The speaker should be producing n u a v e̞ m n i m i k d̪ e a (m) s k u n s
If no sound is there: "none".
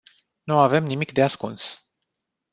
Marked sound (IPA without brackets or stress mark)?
none